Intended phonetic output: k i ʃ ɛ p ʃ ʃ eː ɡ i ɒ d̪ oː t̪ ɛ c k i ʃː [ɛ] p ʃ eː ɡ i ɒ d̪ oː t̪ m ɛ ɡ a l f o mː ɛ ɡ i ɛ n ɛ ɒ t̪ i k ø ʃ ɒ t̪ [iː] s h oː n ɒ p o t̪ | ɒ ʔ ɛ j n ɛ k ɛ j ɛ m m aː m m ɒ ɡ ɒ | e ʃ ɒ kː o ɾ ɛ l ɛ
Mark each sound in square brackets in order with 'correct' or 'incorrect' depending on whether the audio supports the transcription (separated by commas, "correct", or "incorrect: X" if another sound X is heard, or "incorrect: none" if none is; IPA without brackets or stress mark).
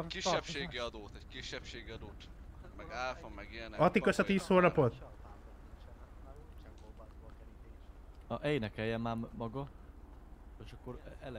correct, correct